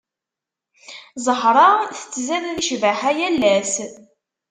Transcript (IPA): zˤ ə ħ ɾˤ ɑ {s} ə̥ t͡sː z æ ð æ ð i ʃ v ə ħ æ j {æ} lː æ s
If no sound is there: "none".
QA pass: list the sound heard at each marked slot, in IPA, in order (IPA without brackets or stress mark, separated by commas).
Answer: θ, æ